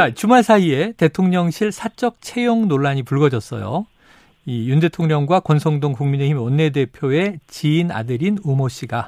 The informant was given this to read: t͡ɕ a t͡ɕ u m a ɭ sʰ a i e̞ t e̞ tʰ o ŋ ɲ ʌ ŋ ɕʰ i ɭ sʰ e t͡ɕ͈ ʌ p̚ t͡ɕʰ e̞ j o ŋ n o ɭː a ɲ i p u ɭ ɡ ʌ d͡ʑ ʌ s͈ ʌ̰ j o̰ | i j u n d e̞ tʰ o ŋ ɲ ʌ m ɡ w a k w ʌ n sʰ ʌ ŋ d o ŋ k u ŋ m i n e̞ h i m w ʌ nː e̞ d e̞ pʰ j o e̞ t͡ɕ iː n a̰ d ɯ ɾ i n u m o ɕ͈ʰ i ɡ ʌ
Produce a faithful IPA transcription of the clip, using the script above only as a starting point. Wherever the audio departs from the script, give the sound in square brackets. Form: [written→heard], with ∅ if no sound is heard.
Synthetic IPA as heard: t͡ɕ a t͡ɕ u m a ɭ sʰ a i e̞ t e̞ tʰ o ŋ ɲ ʌ ŋ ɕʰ i ɭ sʰ [e→a] t͡ɕ͈ ʌ [p̚→k̚] t͡ɕʰ e̞ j o ŋ n o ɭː a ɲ i p u ɭ ɡ ʌ d͡ʑ ʌ s͈ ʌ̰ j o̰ | i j u n d e̞ tʰ o ŋ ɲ ʌ [m→ŋ] ɡ w a k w ʌ n sʰ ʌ ŋ d o ŋ k u ŋ m i n e̞ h i m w ʌ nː e̞ d e̞ pʰ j o e̞ t͡ɕ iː n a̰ d ɯ ɾ i n u m o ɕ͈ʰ i ɡ [ʌ→a]